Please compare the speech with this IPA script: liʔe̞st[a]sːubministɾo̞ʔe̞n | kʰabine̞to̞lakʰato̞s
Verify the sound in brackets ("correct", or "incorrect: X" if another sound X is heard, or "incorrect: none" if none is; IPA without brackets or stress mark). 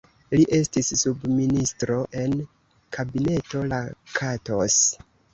incorrect: i